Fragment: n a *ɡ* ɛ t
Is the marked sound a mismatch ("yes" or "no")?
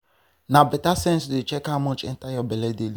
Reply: yes